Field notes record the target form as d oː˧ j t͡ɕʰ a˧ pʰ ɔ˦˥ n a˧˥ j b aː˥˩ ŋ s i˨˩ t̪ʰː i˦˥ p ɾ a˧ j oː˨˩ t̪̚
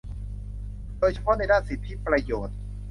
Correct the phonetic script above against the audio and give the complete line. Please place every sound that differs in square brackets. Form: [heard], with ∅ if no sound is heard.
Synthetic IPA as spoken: d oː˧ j t͡ɕʰ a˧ pʰ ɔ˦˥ n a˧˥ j [d] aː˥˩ [n] s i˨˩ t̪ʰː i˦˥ p ɾ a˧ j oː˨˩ t̪̚